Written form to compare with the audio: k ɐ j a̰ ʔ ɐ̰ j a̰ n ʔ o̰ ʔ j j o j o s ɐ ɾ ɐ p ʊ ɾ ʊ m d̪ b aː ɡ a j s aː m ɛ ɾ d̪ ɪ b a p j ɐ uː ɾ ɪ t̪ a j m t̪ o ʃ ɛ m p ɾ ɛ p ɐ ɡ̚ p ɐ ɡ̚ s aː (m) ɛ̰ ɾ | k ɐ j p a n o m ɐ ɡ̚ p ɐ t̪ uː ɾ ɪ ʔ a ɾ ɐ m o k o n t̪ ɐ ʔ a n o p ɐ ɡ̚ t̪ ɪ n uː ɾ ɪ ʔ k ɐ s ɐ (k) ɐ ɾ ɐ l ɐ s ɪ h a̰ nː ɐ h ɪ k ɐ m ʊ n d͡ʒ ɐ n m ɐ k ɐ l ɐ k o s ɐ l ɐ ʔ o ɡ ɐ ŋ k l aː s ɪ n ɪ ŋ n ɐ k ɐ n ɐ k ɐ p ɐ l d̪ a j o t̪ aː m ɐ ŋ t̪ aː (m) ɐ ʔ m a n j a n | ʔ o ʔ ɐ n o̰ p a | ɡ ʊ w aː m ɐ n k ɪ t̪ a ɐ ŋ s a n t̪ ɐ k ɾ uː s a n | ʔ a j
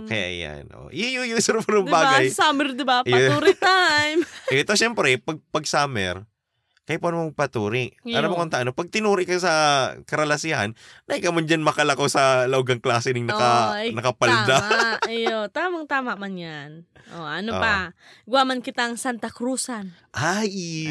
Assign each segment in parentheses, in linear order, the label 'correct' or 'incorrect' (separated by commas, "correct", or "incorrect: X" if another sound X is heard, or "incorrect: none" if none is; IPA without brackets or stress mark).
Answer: correct, correct, correct